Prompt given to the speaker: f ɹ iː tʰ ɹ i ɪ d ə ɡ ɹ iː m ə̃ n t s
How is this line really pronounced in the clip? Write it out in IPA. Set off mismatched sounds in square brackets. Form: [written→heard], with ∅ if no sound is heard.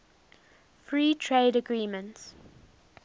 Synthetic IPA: f ɹ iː tʰ ɹ [i→e] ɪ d ə ɡ ɹ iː m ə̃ n t s

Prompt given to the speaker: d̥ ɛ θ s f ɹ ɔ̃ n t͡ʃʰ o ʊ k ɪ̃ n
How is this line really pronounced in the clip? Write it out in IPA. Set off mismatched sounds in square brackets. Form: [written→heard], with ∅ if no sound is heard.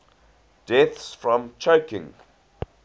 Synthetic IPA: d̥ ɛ θ s f ɹ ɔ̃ [n→m] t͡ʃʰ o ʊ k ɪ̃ [n→ŋ]

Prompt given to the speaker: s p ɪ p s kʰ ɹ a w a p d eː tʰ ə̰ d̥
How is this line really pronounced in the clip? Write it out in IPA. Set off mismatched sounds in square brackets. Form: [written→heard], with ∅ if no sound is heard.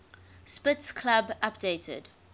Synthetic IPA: s p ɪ [p→t] s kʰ [ɹ→l] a [w→b] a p d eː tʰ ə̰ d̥

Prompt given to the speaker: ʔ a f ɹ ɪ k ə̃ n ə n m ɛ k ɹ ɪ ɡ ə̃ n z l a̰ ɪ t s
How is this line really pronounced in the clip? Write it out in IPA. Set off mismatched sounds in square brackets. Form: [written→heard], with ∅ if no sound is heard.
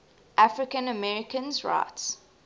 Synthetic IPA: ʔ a f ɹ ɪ k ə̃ n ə [n→∅] m ɛ [k→∅] ɹ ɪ [ɡ→k] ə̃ n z [l→ɹ] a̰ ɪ t s

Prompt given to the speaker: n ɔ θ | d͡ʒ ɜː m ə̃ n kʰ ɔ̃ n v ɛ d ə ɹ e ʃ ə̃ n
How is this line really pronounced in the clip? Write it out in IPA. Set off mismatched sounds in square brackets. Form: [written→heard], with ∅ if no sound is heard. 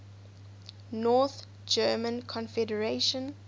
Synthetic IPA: n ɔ θ | d͡ʒ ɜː m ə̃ n kʰ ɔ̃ n [v→f] ɛ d ə ɹ e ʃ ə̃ n

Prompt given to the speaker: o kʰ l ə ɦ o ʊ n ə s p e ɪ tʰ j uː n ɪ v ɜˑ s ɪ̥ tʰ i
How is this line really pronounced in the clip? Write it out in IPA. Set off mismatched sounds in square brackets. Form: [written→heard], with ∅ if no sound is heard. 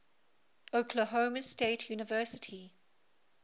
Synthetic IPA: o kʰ l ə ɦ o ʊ [n→m] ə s [p→t] e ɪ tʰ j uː n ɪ v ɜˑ s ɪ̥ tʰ i

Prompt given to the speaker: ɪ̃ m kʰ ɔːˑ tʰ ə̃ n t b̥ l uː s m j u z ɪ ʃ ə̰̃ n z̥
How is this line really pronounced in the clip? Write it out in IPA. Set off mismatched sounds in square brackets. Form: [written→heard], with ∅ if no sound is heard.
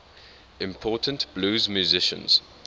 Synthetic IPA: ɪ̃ m [kʰ→pʰ] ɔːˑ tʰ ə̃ n t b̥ l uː [s→z] m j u z ɪ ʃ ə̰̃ n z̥

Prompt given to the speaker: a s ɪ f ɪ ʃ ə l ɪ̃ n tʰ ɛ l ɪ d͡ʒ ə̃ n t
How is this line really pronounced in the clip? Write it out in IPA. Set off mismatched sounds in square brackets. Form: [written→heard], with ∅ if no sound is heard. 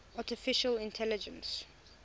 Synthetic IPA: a [s→t] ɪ f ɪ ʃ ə l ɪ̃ n tʰ ɛ l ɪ d͡ʒ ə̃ n [t→s]

